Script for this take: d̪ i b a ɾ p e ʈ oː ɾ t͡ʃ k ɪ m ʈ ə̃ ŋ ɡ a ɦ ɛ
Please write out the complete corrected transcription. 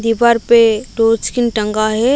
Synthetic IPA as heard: d̪ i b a ɾ p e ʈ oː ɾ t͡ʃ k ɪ n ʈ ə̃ ŋ ɡ a ɦ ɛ